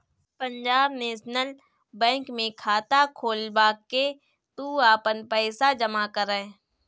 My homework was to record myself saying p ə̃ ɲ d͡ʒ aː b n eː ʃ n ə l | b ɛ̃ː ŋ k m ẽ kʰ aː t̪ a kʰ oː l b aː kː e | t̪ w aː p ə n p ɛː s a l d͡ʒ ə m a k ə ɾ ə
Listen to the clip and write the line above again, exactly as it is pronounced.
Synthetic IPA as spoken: p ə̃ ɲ d͡ʒ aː b n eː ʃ n ə l | b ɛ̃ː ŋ k m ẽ kʰ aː t̪ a kʰ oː l b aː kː e | t̪ u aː p ə n p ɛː s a d͡ʒ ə m a k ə ɾ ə